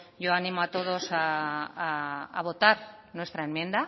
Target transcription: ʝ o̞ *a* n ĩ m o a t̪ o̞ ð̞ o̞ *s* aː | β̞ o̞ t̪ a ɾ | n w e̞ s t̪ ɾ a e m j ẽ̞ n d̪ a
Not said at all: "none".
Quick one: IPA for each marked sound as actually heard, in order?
a, s

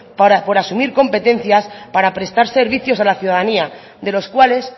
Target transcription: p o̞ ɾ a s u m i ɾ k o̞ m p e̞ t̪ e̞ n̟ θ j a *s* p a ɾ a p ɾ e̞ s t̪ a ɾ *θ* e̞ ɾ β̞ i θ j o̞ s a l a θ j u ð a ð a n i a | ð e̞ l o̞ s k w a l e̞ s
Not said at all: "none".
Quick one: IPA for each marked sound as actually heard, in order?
s, s

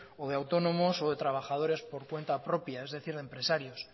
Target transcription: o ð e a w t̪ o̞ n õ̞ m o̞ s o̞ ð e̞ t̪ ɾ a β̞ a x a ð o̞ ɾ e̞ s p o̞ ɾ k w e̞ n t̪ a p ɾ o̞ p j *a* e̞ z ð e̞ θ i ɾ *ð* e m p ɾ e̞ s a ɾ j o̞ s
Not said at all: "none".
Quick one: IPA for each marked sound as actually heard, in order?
a, ð

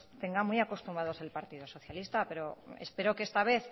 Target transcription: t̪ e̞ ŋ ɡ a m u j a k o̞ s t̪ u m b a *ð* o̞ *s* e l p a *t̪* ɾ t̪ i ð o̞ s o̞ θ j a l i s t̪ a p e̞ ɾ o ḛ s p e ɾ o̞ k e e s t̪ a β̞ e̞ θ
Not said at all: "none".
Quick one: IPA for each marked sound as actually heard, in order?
ð, s, none

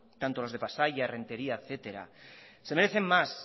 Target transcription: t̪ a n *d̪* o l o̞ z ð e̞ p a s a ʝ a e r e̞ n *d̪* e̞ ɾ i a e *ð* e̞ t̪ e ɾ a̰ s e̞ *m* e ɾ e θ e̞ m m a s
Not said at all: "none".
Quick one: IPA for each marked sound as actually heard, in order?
t̪, t̪, θ, m

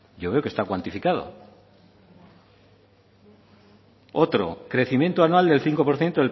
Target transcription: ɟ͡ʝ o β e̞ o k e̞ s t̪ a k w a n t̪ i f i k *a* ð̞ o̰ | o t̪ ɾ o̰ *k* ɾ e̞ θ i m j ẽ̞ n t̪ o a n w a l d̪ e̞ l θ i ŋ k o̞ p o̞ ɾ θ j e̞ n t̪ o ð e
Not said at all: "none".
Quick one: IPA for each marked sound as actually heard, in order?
a, k

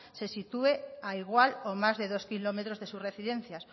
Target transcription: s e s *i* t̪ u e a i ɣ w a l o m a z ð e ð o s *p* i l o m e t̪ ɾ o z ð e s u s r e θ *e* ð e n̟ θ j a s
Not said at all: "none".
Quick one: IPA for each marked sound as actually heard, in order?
i, k, i

